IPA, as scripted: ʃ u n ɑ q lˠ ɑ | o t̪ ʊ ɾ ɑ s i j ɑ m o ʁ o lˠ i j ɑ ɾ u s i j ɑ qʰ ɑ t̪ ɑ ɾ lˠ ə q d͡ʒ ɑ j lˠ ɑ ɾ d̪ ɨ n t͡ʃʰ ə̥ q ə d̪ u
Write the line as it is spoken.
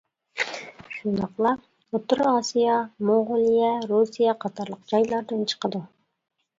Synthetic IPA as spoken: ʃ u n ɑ q lˠ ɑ | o t̪ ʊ ɾ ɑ s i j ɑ m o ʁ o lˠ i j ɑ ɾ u s i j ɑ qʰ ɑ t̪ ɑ ɾ lˠ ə q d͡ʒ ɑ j lˠ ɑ ɾ d̪ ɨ n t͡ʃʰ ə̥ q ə d̪ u